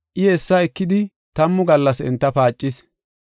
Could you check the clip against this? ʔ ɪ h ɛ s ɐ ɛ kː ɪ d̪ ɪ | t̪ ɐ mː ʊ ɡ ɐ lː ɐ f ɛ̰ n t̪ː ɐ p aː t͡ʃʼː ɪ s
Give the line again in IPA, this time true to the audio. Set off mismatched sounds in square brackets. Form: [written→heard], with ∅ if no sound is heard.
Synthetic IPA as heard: ʔ ɪ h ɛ [s→sː] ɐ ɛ kː ɪ d̪ ɪ | t̪ ɐ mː ʊ ɡ ɐ lː ɐ [f→s] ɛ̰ n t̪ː ɐ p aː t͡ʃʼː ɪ s